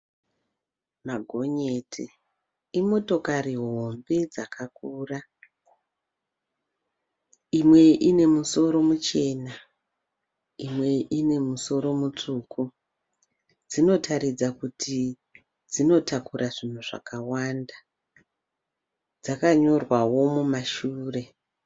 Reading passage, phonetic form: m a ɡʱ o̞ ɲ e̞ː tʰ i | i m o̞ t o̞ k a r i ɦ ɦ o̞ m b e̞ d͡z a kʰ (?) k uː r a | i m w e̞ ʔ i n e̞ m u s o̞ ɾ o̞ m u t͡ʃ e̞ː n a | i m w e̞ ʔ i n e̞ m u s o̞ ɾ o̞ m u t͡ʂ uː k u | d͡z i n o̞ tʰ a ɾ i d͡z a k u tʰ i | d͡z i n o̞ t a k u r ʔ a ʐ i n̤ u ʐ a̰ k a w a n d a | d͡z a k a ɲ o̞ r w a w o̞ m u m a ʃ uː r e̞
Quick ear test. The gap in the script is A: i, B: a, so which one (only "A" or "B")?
B